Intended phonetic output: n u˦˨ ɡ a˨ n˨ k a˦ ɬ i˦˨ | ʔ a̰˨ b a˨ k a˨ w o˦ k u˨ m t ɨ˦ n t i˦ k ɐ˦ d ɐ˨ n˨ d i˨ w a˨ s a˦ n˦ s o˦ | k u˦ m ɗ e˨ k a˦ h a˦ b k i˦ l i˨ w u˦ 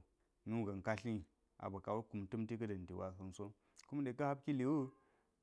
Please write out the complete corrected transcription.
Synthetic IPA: n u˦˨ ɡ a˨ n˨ k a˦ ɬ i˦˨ | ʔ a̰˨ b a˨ k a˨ w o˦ k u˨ m t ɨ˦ m t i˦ k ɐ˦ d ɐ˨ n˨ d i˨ w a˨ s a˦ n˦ s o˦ | k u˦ m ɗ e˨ k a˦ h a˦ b k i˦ l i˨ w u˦